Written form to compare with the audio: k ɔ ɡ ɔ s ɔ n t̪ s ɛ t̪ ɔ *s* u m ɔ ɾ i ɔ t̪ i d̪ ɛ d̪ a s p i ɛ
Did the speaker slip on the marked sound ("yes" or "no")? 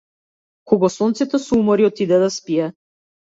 no